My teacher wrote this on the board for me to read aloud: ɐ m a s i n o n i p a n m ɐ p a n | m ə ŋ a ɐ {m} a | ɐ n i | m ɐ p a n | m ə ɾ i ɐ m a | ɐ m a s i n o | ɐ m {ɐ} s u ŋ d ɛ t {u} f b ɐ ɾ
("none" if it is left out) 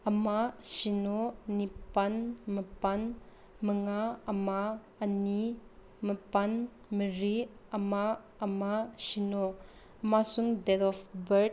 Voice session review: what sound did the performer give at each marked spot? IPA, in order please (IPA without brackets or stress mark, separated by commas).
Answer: m, a, ɔ